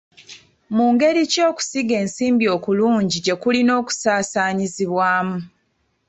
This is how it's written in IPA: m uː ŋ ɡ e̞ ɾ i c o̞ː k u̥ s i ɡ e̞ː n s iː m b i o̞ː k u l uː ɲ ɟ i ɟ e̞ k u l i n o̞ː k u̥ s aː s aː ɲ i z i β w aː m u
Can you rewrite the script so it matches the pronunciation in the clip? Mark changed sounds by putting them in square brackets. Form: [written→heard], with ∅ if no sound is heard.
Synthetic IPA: m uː ŋ ɡ e̞ ɾ i c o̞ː k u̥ s i ɡ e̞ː n s iː m b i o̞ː k u l uː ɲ ɟ i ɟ e̞ k u l i n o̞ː k u̥ s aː s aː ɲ i z i β w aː m u

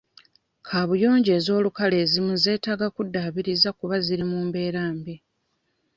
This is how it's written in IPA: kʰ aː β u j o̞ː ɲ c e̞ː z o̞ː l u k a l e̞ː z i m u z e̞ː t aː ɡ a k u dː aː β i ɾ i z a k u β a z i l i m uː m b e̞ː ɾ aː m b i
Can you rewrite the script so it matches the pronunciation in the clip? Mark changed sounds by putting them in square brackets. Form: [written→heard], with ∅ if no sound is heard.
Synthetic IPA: kʰ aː β u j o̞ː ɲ [c→ɟ] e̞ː z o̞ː l u k a l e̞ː z i m u z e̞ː t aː ɡ a k u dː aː β i ɾ i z a k u β a z i [l→ɾ] i m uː m b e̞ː ɾ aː m b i

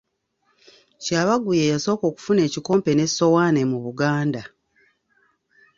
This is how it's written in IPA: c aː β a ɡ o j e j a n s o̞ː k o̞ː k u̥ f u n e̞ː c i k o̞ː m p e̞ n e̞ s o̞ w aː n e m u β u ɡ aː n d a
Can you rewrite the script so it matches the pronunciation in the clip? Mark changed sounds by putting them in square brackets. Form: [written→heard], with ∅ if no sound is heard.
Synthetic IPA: c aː β a ɡ [o→u] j e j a [n→∅] s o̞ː k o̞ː k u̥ f u n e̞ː c i k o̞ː m p e̞ n e̞ s o̞ w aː n e m u β u ɡ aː n d a

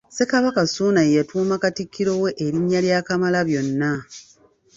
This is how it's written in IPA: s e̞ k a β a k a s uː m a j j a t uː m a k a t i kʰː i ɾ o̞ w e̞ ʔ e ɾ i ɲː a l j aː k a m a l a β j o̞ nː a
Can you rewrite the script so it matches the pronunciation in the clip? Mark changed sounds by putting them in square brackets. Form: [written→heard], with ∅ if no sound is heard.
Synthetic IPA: s e̞ k a β a k a s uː [m→n] a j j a t uː m a k a t i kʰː i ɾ o̞ w e̞ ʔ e ɾ i ɲː a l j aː k a m a l a β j o̞ nː a

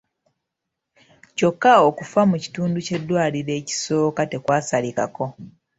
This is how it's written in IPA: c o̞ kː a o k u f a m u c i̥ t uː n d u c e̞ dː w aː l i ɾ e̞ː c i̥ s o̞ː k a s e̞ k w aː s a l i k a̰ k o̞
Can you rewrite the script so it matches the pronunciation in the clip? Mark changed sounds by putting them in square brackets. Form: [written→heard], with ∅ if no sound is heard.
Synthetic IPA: c o̞ kː a o k u f a m u c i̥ t uː n d u c e̞ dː w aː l i ɾ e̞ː c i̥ s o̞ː k a [s→t] e̞ k w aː s a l i k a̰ k o̞

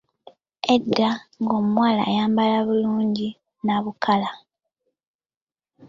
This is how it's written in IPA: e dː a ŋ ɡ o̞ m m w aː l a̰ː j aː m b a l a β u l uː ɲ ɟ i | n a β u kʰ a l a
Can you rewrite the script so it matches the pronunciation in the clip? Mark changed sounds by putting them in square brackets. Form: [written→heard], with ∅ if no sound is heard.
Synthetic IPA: e dː a ŋ ɡ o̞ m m w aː l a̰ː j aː m b a l a β u l uː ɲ ɟ i | n a β u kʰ a l a

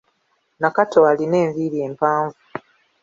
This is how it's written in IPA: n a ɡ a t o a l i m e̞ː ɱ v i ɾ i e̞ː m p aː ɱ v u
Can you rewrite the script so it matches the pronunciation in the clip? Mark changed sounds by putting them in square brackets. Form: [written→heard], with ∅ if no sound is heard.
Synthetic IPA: n a [ɡ→k] a t o a l i [m→n] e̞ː ɱ v i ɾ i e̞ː m p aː ɱ v u

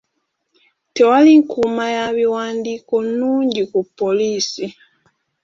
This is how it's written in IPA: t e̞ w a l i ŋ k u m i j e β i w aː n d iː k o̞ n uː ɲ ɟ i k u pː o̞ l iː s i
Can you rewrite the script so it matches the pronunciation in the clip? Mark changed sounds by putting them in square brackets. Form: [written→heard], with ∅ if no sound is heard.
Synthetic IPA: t e̞ w a l i ŋ k u m [i→a] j [e→a] β i w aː n d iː k o̞ n uː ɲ ɟ i k u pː o̞ l iː s i

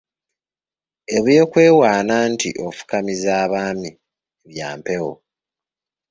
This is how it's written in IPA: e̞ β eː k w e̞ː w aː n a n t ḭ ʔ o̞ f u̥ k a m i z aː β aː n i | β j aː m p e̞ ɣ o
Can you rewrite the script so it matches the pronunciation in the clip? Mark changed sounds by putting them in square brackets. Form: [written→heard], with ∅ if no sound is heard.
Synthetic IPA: e̞ β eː k w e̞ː w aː n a n t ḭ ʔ o̞ f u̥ k a m i z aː β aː [n→m] i | β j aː m p e̞ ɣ o

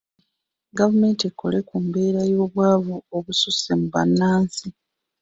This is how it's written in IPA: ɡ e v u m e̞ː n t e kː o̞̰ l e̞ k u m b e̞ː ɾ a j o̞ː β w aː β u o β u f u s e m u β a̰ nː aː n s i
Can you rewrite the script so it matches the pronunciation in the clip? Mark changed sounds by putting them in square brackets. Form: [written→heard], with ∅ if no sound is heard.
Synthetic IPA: ɡ [e→a] v u m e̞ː n t e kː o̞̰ l e̞ k u m b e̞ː ɾ a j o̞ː β w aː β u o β u [f→s] u s e m u β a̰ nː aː n s i

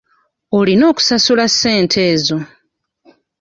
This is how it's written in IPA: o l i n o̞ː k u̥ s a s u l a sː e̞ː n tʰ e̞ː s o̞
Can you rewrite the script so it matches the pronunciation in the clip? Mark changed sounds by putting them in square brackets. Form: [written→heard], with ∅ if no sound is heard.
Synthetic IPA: o l i n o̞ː k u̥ s a s u l a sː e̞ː n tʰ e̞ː [s→z] o̞

